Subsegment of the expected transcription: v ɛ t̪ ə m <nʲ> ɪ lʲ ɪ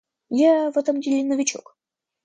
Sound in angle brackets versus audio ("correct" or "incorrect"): incorrect